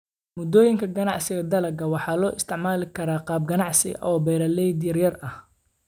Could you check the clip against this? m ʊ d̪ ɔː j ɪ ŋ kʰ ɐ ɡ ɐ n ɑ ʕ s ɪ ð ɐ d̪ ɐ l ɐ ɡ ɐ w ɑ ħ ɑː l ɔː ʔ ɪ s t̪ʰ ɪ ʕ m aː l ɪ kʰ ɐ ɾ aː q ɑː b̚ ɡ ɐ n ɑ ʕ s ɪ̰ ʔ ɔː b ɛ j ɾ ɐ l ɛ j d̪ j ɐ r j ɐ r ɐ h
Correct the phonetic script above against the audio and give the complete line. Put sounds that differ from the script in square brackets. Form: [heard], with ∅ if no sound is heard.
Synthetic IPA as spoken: m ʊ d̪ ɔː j ɪ ŋ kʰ ɐ ɡ ɐ n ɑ ʕ s ɪ [ɣ] ɐ d̪ ɐ l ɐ ɡ ɐ w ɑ ħ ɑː l ɔː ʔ ɪ s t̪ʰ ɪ ʕ m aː l ɪ kʰ ɐ ɾ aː q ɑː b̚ ɡ ɐ n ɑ ʕ s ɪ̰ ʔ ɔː b ɛ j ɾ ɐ l ɛ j d̪ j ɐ r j ɐ r ɐ h